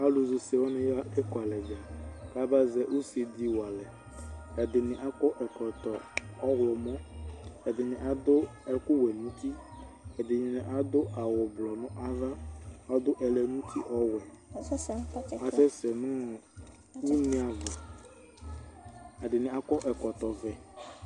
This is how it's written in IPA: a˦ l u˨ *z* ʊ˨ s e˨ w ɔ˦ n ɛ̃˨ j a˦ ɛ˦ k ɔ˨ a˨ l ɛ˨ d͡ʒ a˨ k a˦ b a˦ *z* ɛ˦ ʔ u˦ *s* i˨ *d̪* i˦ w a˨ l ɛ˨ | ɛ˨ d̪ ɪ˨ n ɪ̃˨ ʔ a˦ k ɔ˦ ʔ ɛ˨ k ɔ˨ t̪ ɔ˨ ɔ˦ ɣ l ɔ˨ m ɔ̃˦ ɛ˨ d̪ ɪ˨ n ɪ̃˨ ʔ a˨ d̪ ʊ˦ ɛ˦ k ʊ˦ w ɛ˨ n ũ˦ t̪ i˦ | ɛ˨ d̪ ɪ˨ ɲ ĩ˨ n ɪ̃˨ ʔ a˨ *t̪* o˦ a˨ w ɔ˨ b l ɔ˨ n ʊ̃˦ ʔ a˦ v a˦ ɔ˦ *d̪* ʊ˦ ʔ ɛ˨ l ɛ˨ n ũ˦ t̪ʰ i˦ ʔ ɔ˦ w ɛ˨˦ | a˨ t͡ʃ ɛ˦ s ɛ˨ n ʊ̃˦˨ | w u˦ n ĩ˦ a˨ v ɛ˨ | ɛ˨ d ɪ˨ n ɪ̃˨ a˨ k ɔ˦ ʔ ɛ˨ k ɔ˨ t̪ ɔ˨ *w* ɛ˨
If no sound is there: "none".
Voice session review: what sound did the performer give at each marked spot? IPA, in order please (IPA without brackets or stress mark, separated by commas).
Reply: z, z, s, d̪, d̪, d̪, v